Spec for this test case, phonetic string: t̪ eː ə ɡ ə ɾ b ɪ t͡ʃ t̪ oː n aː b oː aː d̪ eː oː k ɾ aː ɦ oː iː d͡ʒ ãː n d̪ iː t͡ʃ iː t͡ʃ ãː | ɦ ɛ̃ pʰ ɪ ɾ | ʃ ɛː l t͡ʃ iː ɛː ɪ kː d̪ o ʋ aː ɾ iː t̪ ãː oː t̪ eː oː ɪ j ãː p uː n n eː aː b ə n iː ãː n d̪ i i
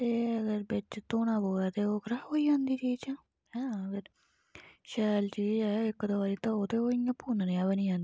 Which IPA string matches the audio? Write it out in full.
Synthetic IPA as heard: t̪ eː ə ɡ ə ɾ b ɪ t͡ʃ t̪ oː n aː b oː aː t̪ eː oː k ɾ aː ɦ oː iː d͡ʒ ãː n d̪ iː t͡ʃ iː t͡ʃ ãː | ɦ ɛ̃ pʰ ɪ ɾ | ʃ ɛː l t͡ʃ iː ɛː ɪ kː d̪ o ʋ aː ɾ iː t̪ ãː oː t̪ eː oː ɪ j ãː p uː n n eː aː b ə n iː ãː n d̪ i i